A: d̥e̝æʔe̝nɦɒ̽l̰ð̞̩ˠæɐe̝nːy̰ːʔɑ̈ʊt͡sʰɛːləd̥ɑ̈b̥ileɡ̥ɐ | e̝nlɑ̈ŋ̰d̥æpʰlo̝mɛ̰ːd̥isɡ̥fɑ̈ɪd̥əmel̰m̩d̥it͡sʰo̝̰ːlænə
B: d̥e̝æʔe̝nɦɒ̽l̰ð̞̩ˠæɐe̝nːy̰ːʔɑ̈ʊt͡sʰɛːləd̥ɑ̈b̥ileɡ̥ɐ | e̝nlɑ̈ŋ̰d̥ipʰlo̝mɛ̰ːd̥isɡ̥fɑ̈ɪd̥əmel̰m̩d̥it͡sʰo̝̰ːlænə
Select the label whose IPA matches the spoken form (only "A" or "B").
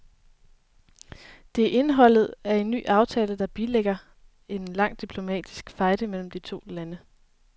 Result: B